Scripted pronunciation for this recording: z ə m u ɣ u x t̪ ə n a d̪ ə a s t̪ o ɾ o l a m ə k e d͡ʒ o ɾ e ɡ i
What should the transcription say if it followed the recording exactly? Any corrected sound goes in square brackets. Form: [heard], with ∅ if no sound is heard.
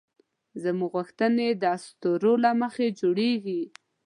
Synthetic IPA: z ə m u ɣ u x t̪ ə n [e] d̪ ə a s t̪ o ɾ o l a m ə [x] e d͡ʒ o [ɽ] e ɡ i